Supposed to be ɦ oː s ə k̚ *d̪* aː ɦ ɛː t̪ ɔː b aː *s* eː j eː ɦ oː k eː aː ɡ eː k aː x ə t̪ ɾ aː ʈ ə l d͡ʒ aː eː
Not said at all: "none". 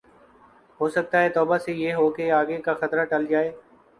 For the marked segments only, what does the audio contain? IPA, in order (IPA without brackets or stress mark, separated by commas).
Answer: t̪, s